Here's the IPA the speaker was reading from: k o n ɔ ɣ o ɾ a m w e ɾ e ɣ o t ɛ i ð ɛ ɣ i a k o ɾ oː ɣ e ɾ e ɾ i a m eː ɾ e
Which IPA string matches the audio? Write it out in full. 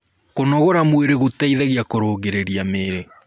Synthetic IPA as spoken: k o n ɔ ɣ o ɾ a m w e ɾ e ɣ o t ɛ i ð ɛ ɣ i a k o ɾ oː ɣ e ɾ e ɾ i a m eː ɾ e